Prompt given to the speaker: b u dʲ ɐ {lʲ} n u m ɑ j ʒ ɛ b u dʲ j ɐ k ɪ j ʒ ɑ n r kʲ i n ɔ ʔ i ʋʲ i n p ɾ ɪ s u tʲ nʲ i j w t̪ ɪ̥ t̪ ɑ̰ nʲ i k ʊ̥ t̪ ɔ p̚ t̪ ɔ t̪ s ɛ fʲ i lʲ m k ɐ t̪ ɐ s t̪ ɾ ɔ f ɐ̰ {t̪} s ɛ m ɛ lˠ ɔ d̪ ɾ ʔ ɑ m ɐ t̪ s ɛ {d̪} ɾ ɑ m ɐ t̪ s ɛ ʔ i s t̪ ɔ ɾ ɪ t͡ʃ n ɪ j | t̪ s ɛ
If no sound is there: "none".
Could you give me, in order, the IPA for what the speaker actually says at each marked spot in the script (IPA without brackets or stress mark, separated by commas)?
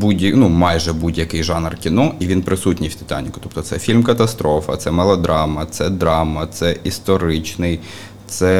none, t̪, d̪